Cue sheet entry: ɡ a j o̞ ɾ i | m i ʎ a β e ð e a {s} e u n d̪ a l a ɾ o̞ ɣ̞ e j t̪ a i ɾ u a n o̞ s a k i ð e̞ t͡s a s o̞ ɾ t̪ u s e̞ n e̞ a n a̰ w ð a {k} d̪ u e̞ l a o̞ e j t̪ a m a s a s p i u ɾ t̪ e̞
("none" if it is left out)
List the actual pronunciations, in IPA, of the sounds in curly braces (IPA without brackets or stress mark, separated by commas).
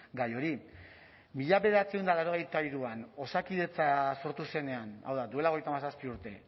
t͡s, none